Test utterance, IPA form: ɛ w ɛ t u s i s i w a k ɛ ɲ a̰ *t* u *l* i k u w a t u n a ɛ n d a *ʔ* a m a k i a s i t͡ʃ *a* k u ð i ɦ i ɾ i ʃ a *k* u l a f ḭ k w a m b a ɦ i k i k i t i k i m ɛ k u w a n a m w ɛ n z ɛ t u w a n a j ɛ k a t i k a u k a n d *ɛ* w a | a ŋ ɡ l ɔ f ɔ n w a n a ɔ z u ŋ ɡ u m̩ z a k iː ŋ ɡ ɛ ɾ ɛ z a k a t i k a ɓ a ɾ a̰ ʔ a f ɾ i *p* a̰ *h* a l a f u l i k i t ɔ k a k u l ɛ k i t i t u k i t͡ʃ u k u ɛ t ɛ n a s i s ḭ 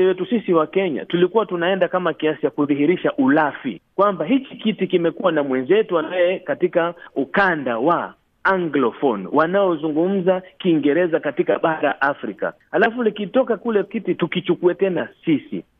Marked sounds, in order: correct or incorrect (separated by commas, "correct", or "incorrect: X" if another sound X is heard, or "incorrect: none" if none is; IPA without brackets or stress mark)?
correct, correct, incorrect: k, correct, incorrect: ʔ, incorrect: a, incorrect: k, correct